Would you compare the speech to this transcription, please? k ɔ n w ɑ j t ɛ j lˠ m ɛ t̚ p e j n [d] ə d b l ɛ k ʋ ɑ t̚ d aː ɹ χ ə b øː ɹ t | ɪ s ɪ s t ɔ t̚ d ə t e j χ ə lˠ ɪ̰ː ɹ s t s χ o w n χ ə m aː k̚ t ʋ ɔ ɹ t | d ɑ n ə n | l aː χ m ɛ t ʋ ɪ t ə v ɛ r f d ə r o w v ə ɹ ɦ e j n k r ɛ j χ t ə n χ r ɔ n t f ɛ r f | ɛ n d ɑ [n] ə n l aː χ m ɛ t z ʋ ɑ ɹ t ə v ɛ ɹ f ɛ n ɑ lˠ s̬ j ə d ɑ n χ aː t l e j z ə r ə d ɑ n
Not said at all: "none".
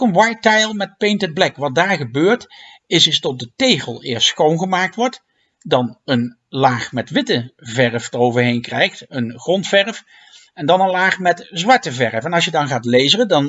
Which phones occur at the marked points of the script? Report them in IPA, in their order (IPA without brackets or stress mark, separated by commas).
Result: t, n